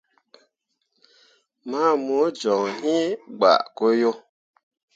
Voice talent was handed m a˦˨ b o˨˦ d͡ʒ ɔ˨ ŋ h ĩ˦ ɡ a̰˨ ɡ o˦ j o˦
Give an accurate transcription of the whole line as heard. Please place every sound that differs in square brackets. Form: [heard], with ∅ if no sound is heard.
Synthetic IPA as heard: m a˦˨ [m] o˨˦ d͡ʒ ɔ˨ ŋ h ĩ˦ [ɡ͡b] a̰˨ [k] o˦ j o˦